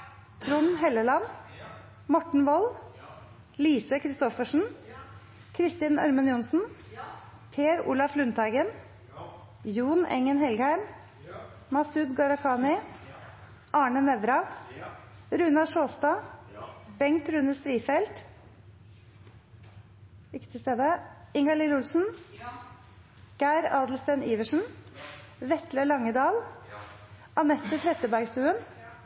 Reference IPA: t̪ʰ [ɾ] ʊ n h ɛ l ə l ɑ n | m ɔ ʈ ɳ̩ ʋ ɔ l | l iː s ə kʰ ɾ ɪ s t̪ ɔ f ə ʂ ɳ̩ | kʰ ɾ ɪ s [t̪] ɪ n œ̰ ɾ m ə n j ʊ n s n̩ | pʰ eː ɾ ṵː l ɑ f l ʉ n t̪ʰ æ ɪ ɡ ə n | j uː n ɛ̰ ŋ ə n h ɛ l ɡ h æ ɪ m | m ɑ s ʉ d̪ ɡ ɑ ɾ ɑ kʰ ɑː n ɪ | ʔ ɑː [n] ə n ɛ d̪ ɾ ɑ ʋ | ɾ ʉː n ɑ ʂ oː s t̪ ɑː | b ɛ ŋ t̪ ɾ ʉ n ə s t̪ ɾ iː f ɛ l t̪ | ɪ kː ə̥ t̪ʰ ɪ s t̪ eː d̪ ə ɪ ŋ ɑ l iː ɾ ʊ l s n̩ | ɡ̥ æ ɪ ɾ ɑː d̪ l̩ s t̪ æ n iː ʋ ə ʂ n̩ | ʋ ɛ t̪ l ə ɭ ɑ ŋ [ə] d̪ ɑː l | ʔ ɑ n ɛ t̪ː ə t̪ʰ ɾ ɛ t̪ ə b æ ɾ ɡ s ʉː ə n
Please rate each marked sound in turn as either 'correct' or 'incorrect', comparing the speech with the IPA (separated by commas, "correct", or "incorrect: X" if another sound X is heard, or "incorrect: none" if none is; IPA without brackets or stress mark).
correct, correct, incorrect: ɳ, correct